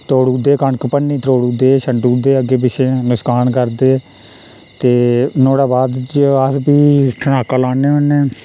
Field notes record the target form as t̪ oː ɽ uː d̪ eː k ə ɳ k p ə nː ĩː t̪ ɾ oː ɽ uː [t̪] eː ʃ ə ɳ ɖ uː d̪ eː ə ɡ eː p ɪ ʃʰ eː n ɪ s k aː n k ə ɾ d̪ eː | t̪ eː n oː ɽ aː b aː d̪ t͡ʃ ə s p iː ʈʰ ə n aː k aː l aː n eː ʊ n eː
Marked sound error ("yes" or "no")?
yes